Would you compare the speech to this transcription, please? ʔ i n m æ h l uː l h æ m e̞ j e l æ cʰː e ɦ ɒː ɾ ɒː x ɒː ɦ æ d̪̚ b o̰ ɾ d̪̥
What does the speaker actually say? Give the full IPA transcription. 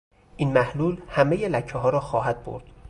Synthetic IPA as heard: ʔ i n m æ h l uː l h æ m e̞ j e l æ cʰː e ɦ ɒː ɾ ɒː x ɒː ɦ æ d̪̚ b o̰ ɾ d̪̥